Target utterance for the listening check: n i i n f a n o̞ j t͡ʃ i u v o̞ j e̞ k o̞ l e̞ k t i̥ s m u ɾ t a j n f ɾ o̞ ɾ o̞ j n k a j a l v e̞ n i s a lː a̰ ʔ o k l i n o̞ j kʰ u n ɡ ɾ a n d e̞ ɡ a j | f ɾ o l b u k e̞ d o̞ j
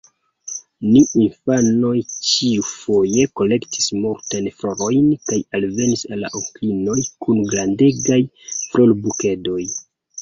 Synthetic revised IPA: n i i n f a n o̞ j t͡ʃ i u f o̞ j e̞ k o̞ l e̞ k t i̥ s m u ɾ t a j n f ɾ o̞ ɾ o̞ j n k a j a l v e̞ n i s a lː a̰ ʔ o k l i n o̞ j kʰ u n ɡ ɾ a n d e̞ ɡ a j | f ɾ o l b u k e̞ d o̞ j